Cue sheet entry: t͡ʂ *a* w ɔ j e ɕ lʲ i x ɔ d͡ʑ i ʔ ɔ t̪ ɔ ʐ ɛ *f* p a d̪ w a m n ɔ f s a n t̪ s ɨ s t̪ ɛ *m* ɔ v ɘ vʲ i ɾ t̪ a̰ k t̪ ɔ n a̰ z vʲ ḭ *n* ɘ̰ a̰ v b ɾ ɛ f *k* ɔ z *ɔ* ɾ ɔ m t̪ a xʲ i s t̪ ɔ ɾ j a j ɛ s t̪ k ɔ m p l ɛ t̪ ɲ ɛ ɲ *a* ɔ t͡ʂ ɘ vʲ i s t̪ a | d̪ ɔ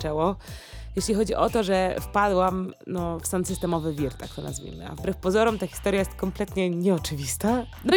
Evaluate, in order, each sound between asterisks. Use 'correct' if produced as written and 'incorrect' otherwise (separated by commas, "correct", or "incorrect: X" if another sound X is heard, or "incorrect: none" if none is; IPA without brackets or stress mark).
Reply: incorrect: ɛ, correct, correct, incorrect: m, incorrect: p, correct, incorrect: ɛ